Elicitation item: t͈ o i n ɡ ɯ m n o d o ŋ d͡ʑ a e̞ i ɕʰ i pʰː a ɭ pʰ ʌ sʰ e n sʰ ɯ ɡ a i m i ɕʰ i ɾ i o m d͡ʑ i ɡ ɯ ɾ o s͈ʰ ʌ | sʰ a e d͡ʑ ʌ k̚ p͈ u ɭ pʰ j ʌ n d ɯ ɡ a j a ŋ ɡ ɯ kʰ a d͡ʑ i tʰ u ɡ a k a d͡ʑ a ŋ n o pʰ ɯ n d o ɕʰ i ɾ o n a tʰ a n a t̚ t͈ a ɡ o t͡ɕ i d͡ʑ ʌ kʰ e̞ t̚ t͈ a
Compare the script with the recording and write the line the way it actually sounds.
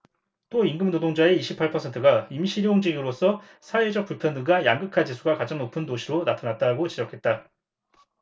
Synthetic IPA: t͈ o i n ɡ ɯ m n o d o ŋ d͡ʑ a e̞ i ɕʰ i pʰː a ɭ pʰ ʌ sʰ e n tʰ ɯ ɡ a i m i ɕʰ i ɾ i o ŋ d͡ʑ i ɡ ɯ ɾ o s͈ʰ ʌ | sʰ a e d͡ʑ ʌ k̚ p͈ u ɭ pʰ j ʌ n d ɯ ɡ a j a ŋ ɡ ɯ kʰ a d͡ʑ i sʰ u ɡ a k a d͡ʑ a ŋ n o pʰ ɯ n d o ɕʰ i ɾ o n a tʰ a n a t̚ t͈ a ɡ o t͡ɕ i d͡ʑ ʌ kʰ e̞ t̚ t͈ a